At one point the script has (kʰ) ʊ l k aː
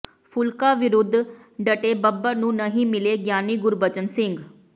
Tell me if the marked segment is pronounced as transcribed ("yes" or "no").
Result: no